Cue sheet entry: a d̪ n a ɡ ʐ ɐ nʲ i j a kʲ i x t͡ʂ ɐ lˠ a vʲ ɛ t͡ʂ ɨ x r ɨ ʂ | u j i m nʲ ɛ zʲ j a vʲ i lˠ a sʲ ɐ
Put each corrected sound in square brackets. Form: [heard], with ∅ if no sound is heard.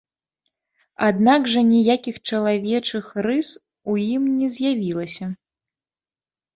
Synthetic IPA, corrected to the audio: a d̪ n a ɡ ʐ ɐ nʲ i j a kʲ i x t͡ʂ ɐ lˠ a vʲ ɛ t͡ʂ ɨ x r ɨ [s] | u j i m nʲ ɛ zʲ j a vʲ i lˠ [ɐ] sʲ ɐ